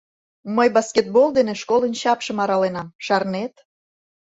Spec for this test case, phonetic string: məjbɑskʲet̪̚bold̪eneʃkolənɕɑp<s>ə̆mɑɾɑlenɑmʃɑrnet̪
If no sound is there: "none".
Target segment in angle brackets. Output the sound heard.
ʃ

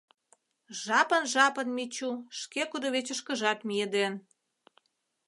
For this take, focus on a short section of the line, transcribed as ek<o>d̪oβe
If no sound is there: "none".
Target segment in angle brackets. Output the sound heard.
u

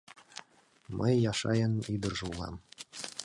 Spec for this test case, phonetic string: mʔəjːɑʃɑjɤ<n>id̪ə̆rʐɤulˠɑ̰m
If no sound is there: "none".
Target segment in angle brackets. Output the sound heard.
n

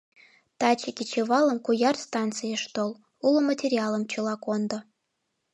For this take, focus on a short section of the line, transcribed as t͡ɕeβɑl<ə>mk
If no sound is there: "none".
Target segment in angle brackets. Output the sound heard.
ə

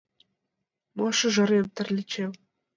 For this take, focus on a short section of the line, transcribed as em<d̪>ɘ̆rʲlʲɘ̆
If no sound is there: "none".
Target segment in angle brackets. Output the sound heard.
t̪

